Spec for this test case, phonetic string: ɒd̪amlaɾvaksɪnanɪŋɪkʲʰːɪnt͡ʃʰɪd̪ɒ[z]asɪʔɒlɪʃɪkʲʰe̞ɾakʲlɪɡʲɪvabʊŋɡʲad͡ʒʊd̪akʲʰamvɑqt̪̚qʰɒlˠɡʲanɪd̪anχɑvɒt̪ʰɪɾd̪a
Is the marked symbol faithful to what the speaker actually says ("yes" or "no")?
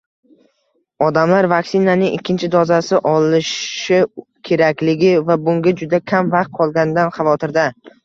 yes